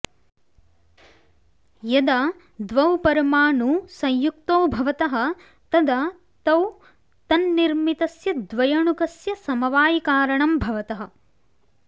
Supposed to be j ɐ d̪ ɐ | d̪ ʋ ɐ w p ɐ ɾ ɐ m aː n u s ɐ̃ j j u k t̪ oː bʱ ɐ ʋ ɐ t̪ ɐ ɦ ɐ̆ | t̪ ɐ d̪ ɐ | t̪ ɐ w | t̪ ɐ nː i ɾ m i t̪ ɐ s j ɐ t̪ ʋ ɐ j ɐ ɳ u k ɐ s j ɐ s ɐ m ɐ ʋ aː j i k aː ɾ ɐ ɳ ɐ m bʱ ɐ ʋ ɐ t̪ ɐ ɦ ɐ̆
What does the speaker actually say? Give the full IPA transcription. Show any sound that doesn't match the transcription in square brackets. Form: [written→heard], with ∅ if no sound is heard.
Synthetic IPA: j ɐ d̪ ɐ | d̪ ʋ ɐ w p ɐ ɾ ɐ m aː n u s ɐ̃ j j u k t̪ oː bʱ ɐ ʋ ɐ t̪ ɐ ɦ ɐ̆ | t̪ ɐ d̪ ɐ | t̪ ɐ w | t̪ ɐ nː i ɾ m i t̪ ɐ s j ɐ [t̪→d̪] ʋ ɐ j ɐ ɳ u k ɐ s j ɐ s ɐ m ɐ ʋ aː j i k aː ɾ ɐ ɳ ɐ m bʱ ɐ ʋ ɐ t̪ ɐ ɦ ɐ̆